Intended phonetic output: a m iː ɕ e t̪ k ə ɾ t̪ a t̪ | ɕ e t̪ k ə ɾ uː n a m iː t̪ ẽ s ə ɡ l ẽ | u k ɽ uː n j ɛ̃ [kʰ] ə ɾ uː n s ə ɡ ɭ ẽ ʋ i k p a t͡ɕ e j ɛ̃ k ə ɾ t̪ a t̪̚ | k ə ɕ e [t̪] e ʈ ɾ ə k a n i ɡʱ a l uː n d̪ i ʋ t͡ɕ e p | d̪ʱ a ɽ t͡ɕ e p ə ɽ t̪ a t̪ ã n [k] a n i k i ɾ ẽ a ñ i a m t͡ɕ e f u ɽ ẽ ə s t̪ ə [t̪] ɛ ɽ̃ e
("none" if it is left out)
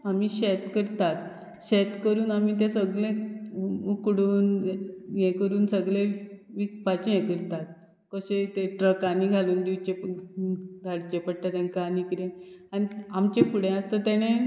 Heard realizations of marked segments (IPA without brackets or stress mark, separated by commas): k, t̪, k, t̪